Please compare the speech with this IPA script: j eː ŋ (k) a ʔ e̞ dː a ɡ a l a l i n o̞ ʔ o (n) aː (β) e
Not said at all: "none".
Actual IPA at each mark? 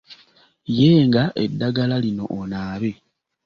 ɡ, n, β

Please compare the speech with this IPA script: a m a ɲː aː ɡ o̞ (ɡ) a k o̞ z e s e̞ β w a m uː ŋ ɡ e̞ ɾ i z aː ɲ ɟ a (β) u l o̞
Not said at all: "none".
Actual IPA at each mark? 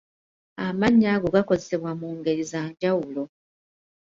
ɡ, w

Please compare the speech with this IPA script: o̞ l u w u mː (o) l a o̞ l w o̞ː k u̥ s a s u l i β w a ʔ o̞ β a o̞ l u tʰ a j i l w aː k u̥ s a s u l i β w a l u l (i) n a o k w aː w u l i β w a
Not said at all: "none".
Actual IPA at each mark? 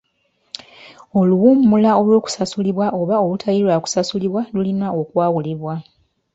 u, i

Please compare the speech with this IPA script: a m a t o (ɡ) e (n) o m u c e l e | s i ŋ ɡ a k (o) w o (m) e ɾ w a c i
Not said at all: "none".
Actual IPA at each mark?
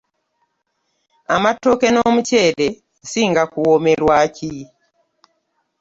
k, n, u, m

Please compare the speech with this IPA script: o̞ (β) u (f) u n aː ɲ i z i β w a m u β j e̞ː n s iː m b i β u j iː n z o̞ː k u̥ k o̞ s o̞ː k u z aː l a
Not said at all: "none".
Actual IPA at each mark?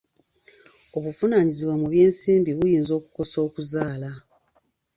β, f

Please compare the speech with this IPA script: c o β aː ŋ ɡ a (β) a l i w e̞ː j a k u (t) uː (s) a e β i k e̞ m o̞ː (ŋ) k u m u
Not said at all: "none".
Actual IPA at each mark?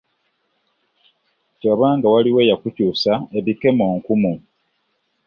w, c, s, ŋ

